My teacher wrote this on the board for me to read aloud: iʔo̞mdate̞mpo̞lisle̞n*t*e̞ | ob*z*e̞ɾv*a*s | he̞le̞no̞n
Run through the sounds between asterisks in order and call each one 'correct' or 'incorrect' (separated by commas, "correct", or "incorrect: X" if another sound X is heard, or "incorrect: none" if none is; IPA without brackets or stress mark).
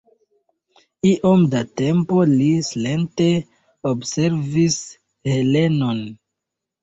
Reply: correct, incorrect: s, incorrect: i